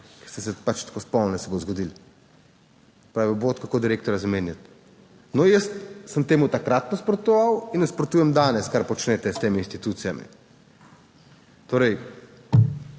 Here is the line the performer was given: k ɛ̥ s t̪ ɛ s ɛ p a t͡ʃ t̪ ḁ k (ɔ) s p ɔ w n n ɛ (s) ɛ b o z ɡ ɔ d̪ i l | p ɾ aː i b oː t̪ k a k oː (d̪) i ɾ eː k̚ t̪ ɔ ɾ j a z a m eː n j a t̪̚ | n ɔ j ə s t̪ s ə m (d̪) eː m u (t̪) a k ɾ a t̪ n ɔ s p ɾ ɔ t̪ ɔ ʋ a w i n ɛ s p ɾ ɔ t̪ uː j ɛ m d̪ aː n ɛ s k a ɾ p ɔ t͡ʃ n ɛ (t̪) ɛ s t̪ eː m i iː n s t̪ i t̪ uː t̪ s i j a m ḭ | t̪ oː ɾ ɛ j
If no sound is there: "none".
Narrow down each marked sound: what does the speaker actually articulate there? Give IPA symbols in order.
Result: o, s, d̪, t̪, t̪, t̪

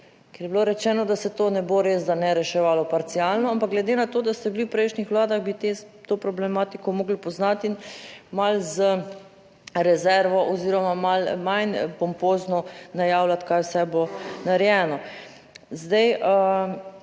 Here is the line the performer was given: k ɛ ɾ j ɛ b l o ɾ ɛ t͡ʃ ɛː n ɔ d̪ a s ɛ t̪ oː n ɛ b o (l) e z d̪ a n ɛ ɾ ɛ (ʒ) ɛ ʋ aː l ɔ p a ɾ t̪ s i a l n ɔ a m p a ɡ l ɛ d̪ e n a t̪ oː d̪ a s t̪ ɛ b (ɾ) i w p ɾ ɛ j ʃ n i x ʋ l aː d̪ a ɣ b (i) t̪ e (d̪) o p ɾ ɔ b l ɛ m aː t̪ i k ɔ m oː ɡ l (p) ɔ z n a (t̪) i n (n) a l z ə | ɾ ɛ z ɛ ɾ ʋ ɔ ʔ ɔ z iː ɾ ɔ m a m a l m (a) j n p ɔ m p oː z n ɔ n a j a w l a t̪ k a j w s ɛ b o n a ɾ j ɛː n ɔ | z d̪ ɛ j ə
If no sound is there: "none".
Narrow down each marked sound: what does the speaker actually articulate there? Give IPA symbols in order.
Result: ɾ, ʃ, l, i, t̪, p, t̪, m, a

